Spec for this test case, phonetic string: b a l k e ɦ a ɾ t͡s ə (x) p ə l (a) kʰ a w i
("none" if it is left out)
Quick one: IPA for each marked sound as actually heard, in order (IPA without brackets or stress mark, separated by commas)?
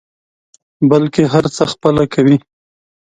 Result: x, a